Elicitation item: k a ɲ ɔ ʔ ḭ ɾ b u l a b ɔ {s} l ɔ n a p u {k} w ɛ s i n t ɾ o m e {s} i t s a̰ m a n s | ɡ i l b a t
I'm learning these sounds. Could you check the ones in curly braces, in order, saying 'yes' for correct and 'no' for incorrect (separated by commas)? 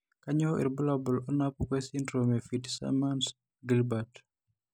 no, yes, no